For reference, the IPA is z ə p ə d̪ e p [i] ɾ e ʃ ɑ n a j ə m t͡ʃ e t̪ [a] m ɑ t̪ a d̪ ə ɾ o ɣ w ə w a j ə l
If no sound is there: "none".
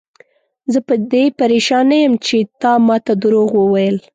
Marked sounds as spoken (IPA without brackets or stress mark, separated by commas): a, ɑ